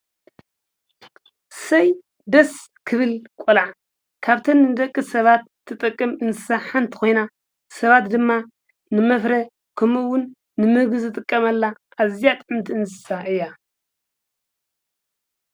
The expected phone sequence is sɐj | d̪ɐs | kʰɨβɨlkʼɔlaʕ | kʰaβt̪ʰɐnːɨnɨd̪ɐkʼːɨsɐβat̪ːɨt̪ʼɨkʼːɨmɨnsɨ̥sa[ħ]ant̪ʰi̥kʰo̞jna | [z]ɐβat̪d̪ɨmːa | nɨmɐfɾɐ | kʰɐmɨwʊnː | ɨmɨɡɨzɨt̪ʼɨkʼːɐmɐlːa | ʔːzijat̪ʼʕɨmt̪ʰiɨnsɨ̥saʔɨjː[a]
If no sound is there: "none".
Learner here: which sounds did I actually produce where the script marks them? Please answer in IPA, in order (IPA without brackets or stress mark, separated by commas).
ħ, s, a